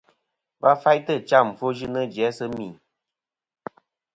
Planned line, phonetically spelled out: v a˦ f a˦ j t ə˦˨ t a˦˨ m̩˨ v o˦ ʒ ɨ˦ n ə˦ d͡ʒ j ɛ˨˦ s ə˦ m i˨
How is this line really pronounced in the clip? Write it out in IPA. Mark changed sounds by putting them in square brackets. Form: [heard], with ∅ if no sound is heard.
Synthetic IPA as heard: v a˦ f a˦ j t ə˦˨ [t͡ʃ] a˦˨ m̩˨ [f] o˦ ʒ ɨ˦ n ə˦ d͡ʒ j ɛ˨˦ s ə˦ m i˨